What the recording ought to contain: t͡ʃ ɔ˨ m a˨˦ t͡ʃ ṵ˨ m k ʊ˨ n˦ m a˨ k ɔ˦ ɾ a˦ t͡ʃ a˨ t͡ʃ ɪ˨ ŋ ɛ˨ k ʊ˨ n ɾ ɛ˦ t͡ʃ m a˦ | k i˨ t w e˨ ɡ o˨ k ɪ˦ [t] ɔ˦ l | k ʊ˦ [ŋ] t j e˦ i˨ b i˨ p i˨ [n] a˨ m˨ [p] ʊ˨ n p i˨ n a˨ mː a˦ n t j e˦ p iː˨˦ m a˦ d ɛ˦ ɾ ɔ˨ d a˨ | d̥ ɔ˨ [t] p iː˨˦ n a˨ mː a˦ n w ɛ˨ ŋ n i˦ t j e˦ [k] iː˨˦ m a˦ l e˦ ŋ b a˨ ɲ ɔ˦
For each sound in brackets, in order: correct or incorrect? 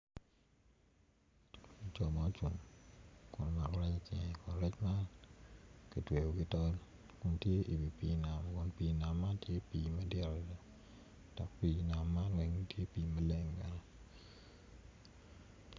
correct, incorrect: n, correct, incorrect: k, incorrect: k, incorrect: p

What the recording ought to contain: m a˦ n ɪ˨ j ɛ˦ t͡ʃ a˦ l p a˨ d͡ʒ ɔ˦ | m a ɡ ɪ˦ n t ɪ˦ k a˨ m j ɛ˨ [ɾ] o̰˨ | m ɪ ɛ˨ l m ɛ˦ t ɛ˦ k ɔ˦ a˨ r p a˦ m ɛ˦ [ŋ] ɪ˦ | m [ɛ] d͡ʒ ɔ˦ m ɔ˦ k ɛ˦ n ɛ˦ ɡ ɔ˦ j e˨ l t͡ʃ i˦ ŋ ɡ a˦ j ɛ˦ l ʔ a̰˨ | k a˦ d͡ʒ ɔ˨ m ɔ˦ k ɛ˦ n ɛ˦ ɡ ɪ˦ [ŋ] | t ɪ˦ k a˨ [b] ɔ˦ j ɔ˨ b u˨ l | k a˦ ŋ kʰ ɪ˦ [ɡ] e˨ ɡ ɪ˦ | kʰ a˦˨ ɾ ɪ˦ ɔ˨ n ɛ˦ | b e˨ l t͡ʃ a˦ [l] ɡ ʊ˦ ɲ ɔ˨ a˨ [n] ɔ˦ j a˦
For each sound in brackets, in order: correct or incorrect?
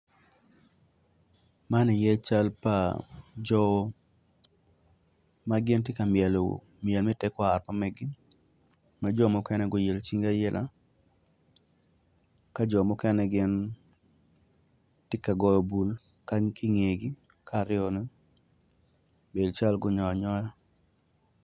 incorrect: l, incorrect: ɡ, incorrect: a, incorrect: n, incorrect: ɡ, incorrect: ŋ, correct, incorrect: ɲ

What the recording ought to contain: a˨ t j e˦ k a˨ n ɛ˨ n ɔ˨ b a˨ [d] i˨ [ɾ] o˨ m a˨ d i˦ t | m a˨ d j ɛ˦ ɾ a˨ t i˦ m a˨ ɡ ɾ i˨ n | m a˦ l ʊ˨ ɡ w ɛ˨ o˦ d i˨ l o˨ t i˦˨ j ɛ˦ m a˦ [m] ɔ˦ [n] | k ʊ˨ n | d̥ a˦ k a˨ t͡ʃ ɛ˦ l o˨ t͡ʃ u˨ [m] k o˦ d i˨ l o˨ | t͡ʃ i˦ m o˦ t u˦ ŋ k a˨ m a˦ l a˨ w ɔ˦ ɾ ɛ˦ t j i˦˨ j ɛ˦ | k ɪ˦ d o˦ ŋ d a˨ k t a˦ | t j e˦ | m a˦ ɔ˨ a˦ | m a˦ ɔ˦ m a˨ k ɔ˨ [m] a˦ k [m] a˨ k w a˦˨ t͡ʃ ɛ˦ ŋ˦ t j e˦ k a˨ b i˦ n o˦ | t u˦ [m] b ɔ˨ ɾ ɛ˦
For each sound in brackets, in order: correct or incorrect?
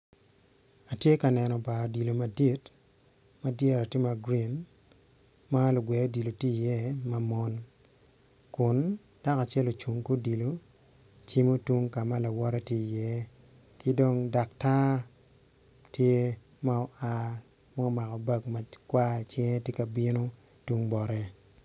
correct, incorrect: l, correct, correct, incorrect: ŋ, incorrect: b, correct, incorrect: ŋ

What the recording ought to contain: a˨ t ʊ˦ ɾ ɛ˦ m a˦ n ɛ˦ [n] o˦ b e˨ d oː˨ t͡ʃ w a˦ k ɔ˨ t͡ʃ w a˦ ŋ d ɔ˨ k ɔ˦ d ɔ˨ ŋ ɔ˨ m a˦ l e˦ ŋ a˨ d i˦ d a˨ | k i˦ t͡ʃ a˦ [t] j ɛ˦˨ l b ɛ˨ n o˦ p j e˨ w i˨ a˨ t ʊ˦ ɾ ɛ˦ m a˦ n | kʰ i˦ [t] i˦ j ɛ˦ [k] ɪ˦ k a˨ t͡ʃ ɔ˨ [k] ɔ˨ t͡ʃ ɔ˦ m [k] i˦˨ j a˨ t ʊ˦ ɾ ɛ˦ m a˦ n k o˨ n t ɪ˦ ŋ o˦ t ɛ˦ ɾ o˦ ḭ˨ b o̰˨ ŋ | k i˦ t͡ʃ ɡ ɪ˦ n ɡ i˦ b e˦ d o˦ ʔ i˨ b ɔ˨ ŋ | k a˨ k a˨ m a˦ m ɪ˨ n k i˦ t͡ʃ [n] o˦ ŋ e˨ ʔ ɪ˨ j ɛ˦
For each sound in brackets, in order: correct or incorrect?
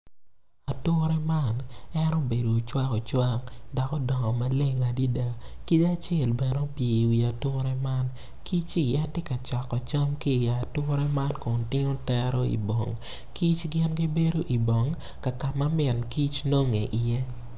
correct, incorrect: t͡ʃ, incorrect: t͡ʃ, incorrect: t, correct, correct, correct

